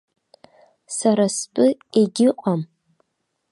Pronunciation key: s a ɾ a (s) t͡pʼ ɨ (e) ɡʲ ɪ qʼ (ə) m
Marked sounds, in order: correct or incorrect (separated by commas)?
correct, correct, incorrect